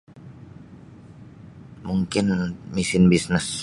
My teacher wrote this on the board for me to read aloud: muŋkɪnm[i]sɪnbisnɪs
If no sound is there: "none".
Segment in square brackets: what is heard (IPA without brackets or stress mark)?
i